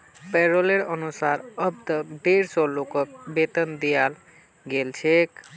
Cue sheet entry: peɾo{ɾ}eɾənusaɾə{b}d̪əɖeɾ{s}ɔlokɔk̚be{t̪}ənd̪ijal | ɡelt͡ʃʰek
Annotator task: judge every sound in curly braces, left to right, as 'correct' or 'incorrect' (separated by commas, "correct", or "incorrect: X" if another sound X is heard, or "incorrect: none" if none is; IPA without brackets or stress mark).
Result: incorrect: l, correct, correct, correct